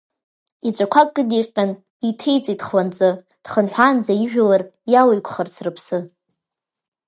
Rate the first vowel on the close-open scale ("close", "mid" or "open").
close